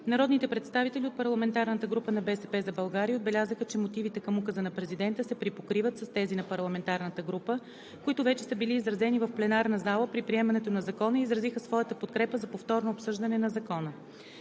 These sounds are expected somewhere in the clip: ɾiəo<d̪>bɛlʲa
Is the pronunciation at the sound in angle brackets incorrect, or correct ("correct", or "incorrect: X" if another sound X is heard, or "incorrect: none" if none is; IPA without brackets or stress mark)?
correct